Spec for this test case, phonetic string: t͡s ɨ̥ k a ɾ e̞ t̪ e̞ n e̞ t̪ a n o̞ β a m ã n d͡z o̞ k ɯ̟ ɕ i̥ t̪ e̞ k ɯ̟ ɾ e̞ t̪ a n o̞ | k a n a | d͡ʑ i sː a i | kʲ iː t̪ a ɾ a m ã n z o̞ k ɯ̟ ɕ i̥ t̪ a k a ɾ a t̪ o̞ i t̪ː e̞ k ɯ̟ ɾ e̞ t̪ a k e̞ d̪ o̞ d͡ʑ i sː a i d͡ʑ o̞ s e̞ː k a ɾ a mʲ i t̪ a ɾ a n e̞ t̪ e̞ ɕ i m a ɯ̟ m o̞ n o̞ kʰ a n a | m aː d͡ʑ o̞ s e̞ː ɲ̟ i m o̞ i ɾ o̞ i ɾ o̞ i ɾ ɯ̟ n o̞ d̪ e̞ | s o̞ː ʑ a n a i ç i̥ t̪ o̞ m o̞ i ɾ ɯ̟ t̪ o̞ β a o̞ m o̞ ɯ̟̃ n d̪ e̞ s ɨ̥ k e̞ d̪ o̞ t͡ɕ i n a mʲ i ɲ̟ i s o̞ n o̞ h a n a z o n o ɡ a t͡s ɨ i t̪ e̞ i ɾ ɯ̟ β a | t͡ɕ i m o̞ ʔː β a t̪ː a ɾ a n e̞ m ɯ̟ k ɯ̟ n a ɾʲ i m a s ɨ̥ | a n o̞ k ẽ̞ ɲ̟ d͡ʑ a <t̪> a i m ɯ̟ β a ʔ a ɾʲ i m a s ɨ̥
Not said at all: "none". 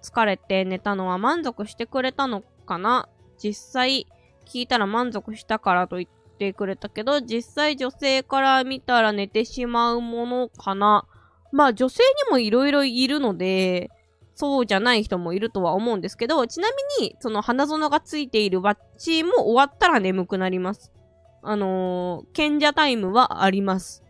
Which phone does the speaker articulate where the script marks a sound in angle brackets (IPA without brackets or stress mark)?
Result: t̪